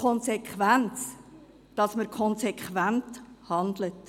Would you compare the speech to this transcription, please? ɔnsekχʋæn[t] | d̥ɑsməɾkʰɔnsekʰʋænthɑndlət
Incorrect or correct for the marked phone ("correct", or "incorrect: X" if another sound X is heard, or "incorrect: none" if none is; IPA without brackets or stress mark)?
incorrect: t͡s